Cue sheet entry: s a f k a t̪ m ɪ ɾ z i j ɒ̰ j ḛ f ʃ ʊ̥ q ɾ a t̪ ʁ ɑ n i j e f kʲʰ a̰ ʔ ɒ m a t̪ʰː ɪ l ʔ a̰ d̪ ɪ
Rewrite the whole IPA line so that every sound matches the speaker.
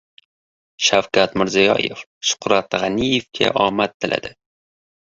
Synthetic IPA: ʃ a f k a t̪ m ɪ ɾ z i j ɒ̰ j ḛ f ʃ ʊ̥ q ɾ a t̪ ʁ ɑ n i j e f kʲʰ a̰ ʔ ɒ m a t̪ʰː ɪ l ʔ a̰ d̪ ɪ